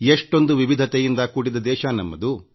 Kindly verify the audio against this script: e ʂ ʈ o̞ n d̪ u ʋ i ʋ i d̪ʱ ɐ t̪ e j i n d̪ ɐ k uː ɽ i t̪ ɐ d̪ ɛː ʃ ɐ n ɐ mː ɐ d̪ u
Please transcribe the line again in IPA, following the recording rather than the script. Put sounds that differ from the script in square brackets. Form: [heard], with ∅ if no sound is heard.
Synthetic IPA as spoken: e ʂ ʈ o̞ n d̪ u ʋ i ʋ i d̪ʱ ɐ t̪ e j i n d̪ ɐ k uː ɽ i [d̪] ɐ d̪ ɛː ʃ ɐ n ɐ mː ɐ d̪ u